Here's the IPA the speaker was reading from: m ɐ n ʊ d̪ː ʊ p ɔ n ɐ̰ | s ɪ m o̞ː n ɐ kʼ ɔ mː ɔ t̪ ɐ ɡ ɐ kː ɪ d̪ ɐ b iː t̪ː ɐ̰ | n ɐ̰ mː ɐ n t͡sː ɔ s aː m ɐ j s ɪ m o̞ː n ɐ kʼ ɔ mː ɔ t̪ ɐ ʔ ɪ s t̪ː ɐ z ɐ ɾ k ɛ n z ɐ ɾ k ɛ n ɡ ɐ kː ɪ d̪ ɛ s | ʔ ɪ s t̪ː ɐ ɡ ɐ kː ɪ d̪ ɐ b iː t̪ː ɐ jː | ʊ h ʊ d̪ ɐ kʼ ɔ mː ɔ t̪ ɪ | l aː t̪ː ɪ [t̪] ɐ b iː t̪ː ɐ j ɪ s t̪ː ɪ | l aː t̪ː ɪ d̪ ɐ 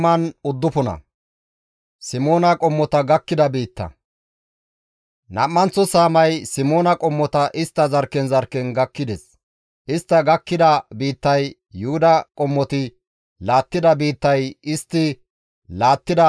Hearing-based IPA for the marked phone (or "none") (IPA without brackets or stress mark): d̪